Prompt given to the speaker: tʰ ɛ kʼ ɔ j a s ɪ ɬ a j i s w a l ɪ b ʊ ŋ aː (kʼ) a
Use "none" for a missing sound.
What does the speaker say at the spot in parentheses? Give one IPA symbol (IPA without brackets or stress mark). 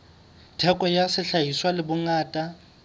tʼ